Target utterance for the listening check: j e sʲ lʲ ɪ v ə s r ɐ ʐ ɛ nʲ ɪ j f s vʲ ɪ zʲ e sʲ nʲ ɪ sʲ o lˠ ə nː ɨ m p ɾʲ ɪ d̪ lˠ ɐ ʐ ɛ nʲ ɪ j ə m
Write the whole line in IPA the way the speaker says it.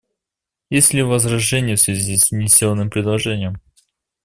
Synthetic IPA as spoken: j e sʲ lʲ ɪ v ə z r ɐ ʐ ɛ nʲ ɪ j f s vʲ ɪ zʲ i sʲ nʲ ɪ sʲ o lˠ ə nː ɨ m p ɾʲ ɪ d̪ lˠ ɐ ʐ ɛ nʲ ɪ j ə m